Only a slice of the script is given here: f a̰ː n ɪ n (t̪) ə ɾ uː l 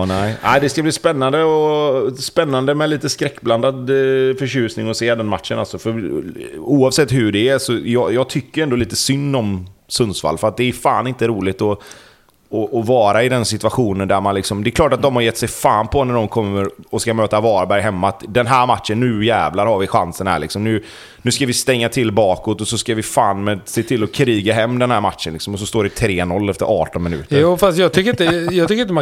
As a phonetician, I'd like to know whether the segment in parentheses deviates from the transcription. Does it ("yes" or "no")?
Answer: no